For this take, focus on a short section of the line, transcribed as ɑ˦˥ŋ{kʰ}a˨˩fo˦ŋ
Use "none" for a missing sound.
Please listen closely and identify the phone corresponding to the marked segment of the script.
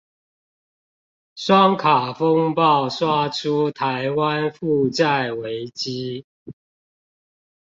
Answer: kʰ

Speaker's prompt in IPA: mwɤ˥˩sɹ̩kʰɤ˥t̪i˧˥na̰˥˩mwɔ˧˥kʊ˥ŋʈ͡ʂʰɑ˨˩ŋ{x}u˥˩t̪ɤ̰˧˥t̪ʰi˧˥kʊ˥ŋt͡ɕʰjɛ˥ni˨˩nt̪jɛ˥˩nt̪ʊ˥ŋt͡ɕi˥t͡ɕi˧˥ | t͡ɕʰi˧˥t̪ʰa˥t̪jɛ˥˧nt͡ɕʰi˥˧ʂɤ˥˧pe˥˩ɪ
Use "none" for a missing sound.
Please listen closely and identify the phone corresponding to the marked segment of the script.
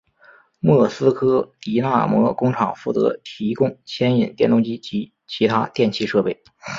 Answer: f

